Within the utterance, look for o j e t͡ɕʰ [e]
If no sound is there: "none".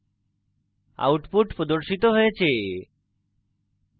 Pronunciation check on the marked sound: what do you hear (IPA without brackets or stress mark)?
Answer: e